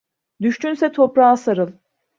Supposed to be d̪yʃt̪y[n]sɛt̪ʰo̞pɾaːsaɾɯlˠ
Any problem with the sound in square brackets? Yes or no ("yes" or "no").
no